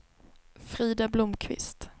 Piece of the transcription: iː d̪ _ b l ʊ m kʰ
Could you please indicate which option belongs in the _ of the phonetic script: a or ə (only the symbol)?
a